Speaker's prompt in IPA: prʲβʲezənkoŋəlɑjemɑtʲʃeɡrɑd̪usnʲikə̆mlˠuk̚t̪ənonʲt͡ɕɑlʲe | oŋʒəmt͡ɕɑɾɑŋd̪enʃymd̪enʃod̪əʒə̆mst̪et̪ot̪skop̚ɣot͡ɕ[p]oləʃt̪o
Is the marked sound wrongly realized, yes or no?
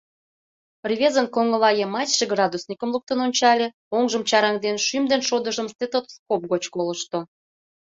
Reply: yes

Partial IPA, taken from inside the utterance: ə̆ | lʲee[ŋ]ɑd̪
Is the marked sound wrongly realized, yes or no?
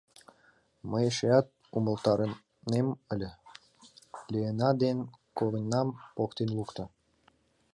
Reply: yes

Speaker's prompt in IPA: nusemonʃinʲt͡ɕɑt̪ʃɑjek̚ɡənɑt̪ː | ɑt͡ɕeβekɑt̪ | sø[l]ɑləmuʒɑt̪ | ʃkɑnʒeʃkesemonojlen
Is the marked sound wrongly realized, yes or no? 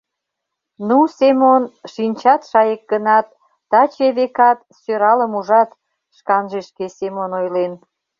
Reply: yes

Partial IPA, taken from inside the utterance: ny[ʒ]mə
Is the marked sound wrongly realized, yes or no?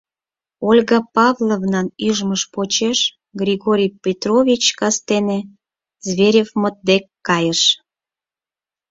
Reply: no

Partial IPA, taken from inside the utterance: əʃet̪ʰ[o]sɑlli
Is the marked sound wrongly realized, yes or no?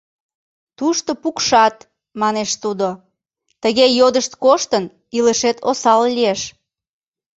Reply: no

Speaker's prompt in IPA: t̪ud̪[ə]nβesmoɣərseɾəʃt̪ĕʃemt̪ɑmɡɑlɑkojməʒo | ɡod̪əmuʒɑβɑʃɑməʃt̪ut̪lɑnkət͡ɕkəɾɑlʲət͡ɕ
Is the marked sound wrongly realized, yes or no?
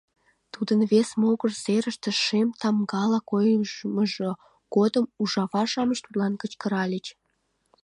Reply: no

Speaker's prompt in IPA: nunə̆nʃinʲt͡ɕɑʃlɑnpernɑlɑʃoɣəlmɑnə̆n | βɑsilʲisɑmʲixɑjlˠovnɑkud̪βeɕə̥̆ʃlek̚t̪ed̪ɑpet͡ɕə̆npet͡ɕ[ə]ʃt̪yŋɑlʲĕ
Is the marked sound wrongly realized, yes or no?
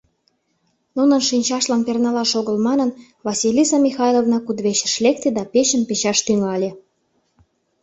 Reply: yes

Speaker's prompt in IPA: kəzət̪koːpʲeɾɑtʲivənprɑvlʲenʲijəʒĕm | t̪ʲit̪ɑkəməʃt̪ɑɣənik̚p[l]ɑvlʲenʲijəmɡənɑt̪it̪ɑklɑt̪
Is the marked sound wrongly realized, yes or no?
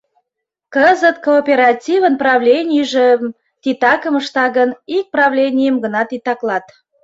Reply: yes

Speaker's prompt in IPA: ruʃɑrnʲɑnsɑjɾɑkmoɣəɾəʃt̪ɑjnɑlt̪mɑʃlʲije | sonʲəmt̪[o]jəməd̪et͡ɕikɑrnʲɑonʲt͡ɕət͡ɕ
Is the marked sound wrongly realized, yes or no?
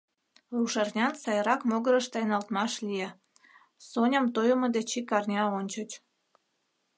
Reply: no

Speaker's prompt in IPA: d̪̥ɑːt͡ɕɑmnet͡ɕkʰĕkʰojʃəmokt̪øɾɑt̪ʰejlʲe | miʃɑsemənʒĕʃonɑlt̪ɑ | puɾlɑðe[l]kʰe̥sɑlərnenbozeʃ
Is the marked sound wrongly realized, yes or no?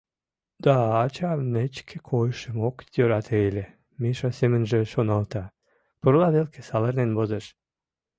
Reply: no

